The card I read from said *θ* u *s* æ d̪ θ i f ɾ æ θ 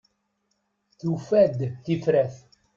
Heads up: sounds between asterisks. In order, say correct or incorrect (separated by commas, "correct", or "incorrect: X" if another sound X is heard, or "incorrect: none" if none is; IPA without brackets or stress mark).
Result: correct, incorrect: f